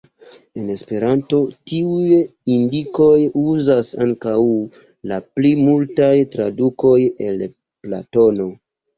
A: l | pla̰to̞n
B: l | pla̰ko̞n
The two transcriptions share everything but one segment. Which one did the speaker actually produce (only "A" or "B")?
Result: A